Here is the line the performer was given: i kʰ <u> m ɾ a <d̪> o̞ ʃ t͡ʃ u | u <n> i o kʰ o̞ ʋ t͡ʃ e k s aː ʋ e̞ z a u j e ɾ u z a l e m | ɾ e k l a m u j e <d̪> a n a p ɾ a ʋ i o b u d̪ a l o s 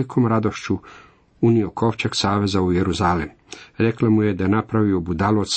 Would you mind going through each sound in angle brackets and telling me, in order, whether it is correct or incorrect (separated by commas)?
incorrect, correct, correct, correct